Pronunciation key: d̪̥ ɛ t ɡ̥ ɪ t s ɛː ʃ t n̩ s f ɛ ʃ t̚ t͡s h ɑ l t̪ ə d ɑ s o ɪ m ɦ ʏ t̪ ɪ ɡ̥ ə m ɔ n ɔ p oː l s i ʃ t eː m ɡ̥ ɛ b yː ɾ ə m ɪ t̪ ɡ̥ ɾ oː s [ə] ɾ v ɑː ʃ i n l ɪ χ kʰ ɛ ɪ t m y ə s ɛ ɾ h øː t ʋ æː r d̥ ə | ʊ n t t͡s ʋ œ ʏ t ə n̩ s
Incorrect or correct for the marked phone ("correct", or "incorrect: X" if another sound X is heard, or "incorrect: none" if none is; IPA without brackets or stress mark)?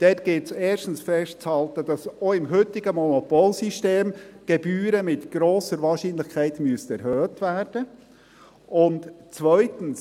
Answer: correct